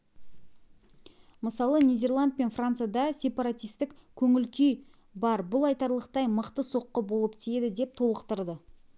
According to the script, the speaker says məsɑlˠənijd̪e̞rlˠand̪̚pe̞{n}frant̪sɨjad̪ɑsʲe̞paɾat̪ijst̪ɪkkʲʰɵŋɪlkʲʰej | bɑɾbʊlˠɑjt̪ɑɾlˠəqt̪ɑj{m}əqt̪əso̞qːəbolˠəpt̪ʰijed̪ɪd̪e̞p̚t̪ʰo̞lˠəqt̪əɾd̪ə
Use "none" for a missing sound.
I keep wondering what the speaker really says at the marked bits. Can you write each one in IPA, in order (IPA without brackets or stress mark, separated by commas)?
n, m